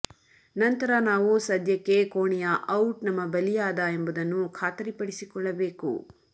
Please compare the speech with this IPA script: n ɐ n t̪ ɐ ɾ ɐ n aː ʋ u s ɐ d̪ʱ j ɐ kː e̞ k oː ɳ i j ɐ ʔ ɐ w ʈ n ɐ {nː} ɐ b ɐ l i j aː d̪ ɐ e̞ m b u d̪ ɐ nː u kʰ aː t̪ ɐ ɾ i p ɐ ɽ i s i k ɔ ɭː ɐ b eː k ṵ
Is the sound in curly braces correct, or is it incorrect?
incorrect